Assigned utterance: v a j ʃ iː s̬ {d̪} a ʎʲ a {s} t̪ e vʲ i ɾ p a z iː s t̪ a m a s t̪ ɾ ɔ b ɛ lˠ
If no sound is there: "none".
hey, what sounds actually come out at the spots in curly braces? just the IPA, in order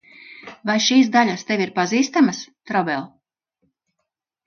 d̪, s

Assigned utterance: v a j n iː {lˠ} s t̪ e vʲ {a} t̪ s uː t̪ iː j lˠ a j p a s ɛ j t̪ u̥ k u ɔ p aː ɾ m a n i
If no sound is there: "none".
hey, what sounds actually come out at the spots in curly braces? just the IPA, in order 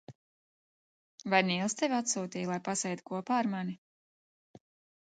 lˠ, a

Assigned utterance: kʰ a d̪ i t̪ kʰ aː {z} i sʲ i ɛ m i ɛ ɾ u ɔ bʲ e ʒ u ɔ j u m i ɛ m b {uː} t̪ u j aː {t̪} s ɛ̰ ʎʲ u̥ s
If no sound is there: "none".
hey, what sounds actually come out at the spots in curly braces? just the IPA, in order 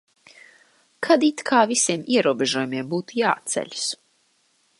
v, uː, t̪

